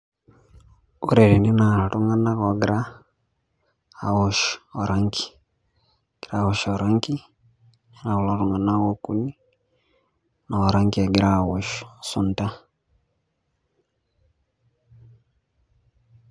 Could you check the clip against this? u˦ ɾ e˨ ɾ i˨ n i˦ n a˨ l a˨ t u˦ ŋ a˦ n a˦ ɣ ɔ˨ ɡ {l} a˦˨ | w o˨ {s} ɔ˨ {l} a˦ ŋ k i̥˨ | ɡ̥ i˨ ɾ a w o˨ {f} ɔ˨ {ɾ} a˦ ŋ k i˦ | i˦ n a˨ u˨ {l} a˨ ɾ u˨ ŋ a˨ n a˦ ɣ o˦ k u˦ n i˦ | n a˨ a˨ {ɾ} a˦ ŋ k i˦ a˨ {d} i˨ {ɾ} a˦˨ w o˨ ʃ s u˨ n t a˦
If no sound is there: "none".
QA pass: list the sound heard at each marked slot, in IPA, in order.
ɾ, ʃ, ɾ, ʃ, ɾ, l, ɾ, ɡ, ɾ

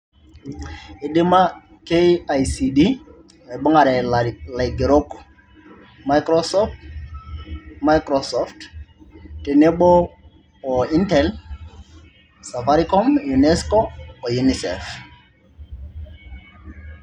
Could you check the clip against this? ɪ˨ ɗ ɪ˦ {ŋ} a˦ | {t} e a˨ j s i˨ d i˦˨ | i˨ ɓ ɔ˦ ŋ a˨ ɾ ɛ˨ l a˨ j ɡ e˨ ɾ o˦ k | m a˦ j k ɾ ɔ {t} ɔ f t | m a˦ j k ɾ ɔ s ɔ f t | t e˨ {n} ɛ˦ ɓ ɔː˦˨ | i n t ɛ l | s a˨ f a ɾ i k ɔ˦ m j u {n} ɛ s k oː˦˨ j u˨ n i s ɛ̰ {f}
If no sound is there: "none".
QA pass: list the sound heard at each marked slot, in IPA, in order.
m, k, s, n, n, f

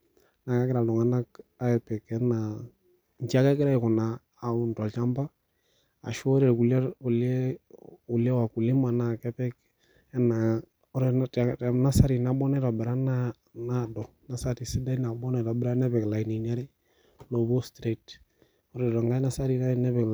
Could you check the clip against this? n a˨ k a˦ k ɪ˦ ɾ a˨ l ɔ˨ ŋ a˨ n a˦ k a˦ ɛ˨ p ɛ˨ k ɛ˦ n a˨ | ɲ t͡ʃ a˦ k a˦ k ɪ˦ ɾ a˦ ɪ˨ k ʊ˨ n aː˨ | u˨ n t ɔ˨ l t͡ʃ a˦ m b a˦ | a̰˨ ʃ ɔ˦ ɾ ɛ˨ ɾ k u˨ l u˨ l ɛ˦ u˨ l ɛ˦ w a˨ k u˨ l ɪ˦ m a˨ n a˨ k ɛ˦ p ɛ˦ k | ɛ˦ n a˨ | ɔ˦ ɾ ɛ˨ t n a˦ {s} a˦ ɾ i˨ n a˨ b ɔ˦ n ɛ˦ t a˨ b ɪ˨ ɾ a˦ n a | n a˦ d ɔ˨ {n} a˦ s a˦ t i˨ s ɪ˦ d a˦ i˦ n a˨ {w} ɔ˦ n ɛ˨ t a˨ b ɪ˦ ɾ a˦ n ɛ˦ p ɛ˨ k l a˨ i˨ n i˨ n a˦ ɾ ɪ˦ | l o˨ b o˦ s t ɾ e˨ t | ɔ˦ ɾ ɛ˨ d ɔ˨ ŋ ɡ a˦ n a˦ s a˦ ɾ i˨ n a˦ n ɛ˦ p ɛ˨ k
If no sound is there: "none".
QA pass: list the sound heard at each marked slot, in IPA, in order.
s, n, b

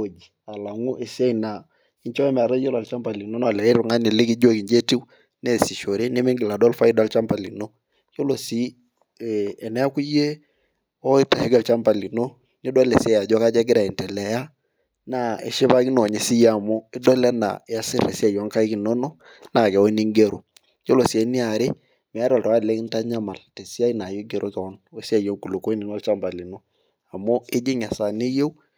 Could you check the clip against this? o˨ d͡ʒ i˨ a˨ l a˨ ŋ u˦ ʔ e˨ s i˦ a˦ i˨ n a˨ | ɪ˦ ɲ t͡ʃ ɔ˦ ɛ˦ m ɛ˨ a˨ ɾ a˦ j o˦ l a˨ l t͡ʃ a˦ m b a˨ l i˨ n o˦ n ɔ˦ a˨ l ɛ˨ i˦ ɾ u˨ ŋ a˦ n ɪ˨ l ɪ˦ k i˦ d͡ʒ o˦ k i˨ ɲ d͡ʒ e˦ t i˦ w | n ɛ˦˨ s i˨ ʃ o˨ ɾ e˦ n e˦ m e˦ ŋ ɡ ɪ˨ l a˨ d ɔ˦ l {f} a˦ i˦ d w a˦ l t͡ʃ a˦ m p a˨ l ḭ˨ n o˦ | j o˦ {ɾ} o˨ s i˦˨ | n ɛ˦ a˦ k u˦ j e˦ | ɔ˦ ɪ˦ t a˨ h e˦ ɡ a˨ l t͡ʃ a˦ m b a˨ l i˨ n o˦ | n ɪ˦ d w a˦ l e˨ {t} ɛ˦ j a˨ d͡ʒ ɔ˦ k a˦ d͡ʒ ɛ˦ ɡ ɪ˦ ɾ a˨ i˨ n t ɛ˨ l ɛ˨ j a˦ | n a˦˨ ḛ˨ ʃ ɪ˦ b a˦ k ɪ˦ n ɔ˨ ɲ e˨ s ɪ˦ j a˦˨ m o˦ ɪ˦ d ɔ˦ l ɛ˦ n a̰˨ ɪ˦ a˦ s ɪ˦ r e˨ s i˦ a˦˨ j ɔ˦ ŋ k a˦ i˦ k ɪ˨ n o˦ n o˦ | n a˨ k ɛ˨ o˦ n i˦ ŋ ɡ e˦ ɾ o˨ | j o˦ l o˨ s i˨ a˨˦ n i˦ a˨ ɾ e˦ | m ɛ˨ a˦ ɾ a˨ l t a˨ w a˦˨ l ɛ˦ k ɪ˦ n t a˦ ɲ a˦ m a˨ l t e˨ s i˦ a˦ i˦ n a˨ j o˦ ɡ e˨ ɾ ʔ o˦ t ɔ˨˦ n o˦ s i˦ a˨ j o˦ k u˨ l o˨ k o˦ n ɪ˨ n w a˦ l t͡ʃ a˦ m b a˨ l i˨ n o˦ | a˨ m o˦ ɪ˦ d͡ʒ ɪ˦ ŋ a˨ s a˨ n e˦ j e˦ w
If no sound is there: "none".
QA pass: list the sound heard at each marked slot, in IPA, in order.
f, l, s

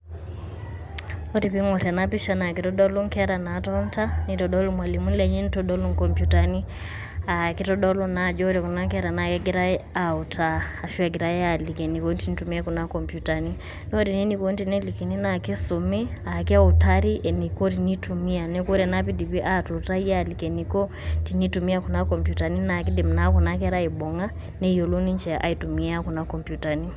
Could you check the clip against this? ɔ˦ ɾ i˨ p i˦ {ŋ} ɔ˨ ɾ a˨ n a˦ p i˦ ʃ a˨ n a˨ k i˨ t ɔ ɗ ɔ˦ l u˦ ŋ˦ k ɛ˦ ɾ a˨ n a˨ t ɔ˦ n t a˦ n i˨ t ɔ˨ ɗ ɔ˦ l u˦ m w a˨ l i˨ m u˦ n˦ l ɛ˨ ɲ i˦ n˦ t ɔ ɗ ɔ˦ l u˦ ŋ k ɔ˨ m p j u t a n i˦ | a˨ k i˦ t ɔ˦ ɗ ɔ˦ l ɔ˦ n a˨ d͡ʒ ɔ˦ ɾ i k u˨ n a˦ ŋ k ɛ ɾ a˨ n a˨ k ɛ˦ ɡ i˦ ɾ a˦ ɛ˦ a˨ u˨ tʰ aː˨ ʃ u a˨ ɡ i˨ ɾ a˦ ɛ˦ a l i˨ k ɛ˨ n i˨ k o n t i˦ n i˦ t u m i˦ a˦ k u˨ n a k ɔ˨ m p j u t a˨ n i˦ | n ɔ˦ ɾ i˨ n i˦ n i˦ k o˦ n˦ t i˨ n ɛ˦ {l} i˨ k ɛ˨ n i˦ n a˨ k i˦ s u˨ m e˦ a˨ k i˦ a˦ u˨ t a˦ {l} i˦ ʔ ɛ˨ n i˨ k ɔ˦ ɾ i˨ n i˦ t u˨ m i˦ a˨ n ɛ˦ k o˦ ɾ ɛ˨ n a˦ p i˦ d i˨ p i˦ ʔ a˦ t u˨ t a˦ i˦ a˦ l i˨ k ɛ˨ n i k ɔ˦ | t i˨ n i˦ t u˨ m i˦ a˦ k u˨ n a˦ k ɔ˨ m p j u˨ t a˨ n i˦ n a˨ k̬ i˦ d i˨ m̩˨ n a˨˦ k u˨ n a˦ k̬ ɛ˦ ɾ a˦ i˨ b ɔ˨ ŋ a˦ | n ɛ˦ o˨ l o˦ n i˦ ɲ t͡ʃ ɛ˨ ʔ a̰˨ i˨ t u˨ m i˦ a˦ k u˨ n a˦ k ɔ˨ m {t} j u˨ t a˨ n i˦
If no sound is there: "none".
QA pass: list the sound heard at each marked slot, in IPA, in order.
ŋ, l, ɾ, p

